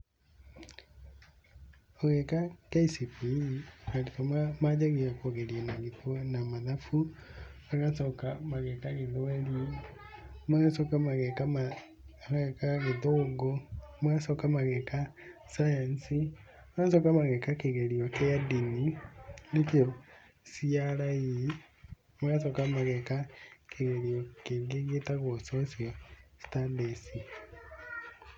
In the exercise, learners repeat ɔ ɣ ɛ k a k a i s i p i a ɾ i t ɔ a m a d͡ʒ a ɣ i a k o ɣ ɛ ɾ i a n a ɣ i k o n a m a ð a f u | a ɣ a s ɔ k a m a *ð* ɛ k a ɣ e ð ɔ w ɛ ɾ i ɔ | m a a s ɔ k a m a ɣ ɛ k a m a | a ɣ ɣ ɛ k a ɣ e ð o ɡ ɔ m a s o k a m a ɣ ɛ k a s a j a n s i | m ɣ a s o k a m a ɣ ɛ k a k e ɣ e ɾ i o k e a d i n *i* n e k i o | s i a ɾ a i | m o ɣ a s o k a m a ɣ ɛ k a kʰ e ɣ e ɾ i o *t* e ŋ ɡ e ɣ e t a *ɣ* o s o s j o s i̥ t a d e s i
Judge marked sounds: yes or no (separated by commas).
no, yes, no, yes